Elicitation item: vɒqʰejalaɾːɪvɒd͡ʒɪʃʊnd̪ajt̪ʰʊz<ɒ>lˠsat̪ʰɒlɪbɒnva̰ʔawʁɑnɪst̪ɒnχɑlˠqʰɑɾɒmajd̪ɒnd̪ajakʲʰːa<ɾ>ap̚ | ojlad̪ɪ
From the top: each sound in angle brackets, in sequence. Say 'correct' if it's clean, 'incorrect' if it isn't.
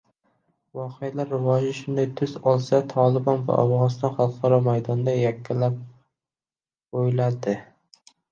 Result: correct, incorrect: l

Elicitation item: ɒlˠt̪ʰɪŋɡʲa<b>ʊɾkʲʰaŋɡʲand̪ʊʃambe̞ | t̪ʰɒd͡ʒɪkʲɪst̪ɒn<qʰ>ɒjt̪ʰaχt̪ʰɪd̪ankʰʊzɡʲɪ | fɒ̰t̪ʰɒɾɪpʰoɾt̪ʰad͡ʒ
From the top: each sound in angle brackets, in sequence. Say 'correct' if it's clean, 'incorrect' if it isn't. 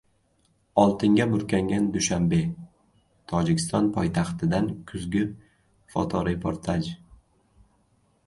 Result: correct, incorrect: pʰ

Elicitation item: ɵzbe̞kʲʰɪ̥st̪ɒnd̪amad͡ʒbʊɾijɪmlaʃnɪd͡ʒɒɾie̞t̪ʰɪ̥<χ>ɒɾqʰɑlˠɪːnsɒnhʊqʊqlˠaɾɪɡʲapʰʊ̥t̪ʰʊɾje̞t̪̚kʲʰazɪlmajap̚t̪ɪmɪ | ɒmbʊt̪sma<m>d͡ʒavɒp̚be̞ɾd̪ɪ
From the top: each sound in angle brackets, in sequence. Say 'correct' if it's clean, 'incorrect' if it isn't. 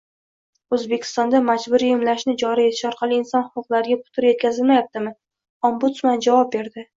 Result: incorrect: ʃ, incorrect: n

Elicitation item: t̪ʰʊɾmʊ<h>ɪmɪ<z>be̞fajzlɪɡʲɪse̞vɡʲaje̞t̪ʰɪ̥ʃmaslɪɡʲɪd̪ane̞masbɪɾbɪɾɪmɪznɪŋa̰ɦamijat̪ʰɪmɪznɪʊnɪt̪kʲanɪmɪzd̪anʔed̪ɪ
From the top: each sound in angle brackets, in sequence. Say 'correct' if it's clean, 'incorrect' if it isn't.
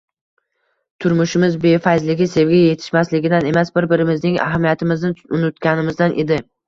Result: incorrect: ʃ, correct

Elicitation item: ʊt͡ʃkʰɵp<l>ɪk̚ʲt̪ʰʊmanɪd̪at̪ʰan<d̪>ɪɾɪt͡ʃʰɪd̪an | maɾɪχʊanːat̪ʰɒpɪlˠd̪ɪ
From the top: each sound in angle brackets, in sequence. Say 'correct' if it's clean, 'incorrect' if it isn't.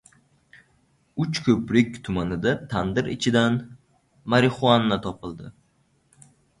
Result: incorrect: ɾ, correct

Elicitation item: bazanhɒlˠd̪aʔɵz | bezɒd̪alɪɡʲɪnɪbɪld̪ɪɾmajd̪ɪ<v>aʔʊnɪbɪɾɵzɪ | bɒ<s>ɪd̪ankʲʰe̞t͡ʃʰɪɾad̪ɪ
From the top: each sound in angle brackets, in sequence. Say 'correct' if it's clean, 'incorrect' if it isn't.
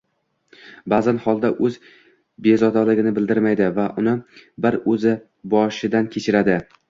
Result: correct, incorrect: ʃ

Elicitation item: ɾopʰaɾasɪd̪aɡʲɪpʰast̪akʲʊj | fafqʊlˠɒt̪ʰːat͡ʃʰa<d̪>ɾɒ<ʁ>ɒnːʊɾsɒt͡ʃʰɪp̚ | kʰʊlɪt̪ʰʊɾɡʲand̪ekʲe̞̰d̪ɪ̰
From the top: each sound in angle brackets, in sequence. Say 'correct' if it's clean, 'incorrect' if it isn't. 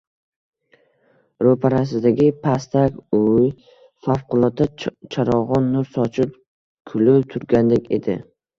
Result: incorrect: none, correct

